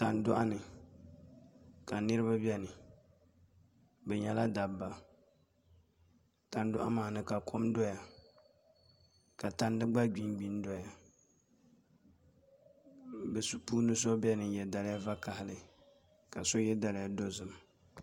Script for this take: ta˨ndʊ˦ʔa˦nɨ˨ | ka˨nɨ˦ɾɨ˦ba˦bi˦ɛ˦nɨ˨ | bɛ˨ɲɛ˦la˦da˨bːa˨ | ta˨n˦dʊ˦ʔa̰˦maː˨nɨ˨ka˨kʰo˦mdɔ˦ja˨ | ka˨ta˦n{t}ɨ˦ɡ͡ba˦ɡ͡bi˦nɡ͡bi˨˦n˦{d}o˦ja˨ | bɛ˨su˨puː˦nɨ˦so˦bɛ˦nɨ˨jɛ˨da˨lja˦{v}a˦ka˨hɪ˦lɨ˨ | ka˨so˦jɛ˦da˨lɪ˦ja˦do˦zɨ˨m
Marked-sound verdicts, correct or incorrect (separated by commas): incorrect, correct, correct